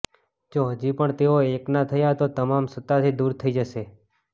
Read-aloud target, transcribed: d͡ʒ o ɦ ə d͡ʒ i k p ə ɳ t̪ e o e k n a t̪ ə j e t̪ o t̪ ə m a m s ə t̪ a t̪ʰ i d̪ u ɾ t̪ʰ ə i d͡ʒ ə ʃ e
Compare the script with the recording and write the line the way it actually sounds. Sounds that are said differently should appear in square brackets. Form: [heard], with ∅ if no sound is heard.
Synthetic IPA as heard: d͡ʒ o ɦ ə d͡ʒ i [∅] p ə ɳ t̪ e o e k n a [t̪ʰ] ə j [a] t̪ o t̪ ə m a m s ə t̪ a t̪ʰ i d̪ u ɾ t̪ʰ ə i d͡ʒ ə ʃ e